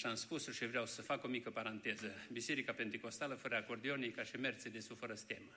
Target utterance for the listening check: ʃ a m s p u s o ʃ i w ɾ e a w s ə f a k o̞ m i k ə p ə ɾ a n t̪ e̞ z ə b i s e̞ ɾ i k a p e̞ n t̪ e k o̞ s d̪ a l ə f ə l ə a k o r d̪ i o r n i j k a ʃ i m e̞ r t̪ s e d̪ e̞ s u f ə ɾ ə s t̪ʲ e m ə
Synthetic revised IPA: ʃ a m s p u s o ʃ i v ɾ e a w s ə f a k o̞ m i k ə p a ɾ a n t̪ e̞ z ə b i s e̞ ɾ i k a p e̞ n t̪ e k o̞ s t̪ a l ə f ə ɾ ə a k o r d̪ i o n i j k a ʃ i m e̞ r t̪ s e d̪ e̞ s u f ə ɾ ə s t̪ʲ e m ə